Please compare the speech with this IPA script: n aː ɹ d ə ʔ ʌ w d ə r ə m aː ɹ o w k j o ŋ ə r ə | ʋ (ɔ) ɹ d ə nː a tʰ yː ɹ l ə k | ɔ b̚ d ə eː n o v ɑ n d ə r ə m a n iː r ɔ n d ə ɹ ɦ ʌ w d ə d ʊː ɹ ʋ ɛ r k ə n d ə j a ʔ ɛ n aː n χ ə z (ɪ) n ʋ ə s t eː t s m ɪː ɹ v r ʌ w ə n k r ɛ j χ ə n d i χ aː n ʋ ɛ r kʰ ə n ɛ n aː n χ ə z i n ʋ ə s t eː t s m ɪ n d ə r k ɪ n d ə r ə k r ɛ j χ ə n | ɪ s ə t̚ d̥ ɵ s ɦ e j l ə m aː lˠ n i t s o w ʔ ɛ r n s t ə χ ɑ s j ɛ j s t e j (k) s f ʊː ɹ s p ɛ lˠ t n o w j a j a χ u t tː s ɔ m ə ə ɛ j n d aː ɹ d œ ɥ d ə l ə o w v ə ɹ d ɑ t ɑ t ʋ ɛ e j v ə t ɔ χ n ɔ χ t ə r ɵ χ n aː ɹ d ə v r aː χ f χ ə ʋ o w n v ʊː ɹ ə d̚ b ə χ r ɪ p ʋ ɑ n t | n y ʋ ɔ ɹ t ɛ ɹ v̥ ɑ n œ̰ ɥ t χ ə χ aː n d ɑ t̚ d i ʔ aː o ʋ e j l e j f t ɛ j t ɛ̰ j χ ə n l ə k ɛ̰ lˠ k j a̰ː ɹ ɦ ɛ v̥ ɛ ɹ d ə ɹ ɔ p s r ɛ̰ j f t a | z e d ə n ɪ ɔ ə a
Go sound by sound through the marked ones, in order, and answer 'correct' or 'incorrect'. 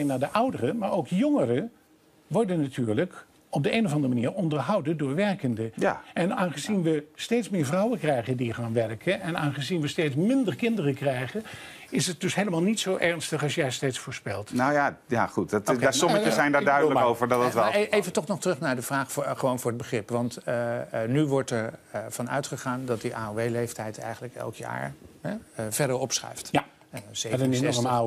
correct, incorrect, incorrect

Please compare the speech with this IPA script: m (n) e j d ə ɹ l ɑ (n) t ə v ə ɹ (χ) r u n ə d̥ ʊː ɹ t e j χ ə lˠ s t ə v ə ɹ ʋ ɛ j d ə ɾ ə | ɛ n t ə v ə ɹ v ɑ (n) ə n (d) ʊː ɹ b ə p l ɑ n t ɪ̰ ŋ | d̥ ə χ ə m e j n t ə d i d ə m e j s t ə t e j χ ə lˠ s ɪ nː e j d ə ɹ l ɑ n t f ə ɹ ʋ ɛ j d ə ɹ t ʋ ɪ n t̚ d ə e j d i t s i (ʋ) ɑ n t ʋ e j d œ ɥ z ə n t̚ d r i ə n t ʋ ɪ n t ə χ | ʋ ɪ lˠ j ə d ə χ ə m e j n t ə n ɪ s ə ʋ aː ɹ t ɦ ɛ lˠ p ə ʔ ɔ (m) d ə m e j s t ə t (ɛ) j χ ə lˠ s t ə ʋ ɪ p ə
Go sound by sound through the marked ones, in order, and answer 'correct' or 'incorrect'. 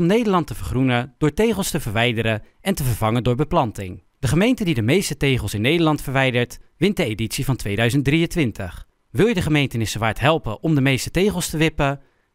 correct, correct, correct, incorrect, correct, incorrect, correct, incorrect

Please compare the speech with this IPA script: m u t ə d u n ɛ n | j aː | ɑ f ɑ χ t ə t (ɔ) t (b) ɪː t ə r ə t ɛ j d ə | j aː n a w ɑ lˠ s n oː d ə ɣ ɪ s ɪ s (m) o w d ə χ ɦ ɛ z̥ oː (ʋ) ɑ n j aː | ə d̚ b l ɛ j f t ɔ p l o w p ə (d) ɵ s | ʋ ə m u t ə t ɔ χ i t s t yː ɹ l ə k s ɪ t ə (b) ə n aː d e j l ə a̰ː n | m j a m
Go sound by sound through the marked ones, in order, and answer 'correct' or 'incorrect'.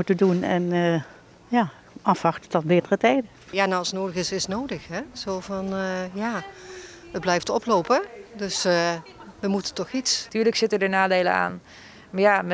correct, correct, incorrect, incorrect, correct, incorrect

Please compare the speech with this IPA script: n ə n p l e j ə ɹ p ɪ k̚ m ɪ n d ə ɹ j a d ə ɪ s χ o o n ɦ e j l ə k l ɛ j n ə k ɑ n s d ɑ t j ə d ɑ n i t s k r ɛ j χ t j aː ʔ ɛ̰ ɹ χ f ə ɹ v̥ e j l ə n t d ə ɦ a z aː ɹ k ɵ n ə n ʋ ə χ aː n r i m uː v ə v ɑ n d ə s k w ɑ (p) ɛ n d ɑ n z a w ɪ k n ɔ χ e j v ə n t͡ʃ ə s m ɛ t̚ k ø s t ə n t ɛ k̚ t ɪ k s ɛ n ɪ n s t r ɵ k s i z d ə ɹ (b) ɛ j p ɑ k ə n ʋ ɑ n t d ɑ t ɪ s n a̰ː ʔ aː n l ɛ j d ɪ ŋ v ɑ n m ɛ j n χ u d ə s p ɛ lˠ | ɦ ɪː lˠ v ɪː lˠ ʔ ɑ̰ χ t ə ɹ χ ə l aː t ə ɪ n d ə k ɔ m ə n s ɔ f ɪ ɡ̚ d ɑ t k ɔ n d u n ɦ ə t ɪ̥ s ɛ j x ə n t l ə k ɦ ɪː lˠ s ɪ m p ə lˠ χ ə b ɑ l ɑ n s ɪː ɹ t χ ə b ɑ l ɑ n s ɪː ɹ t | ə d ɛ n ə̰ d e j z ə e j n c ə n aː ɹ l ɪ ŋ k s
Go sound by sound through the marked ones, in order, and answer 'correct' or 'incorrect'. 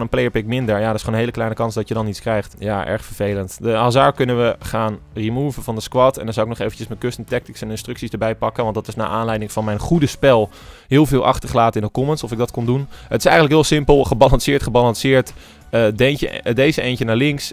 incorrect, correct

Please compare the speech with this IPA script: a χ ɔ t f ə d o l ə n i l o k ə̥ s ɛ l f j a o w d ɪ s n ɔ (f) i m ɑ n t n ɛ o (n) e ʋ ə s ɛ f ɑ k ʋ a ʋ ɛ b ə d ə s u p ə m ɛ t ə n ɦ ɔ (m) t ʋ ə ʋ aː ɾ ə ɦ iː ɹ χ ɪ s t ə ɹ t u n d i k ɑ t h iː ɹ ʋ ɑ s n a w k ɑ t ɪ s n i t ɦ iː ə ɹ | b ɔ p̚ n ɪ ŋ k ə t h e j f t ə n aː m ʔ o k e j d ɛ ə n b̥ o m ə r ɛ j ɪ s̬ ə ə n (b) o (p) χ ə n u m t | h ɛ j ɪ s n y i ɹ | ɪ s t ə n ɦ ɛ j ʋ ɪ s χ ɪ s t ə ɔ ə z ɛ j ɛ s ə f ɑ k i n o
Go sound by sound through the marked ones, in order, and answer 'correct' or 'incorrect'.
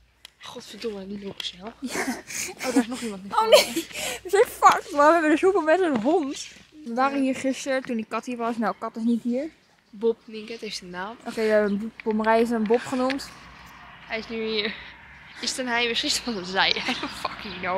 incorrect, correct, incorrect, correct, correct

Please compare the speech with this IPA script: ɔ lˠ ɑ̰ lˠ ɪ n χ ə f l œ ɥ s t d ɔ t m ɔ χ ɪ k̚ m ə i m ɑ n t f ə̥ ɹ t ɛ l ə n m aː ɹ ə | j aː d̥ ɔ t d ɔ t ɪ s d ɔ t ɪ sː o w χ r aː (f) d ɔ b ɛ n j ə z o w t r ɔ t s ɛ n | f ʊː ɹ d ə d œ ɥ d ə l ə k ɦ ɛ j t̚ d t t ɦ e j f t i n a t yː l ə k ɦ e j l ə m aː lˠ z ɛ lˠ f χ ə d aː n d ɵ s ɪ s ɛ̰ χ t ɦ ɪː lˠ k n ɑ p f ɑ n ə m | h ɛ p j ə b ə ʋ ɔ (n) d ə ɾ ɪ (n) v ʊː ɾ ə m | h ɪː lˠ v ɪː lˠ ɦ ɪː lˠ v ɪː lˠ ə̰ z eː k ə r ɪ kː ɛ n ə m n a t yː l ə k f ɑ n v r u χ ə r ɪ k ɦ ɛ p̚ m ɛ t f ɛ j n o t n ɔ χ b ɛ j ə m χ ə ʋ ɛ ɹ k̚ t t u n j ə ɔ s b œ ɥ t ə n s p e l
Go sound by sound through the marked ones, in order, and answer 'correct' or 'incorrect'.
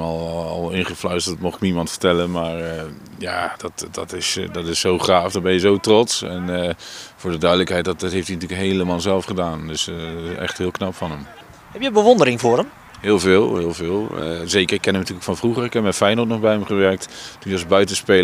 correct, correct, incorrect

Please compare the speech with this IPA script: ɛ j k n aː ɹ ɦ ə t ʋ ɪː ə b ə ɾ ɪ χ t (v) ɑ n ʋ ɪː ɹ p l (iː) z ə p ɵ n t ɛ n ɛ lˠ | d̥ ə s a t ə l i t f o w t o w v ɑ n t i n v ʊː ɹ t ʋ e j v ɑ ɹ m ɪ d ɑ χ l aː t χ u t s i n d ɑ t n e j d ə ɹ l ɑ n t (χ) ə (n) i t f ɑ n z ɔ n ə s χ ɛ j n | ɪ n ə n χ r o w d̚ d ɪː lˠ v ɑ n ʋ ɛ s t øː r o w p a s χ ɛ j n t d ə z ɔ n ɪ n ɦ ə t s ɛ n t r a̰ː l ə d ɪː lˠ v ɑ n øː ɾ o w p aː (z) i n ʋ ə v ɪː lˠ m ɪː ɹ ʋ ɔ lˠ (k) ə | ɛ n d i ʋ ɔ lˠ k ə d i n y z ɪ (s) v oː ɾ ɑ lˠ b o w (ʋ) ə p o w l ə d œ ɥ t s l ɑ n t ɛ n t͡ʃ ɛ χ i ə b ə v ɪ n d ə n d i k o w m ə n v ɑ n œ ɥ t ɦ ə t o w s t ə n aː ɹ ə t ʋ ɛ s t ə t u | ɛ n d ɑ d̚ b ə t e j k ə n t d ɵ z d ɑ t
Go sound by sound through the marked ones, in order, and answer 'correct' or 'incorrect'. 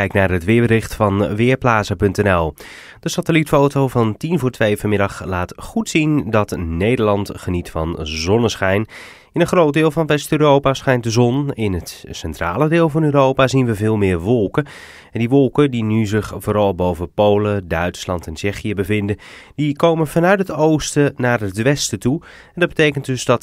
incorrect, incorrect, correct, correct, correct, correct, incorrect, incorrect

